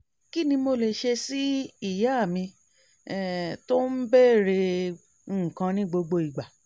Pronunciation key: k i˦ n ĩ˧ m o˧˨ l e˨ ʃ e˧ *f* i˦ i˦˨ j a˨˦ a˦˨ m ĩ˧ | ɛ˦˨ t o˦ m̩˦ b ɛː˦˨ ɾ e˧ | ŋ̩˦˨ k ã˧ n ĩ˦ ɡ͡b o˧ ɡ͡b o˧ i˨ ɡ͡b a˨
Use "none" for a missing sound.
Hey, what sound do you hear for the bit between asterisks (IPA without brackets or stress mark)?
s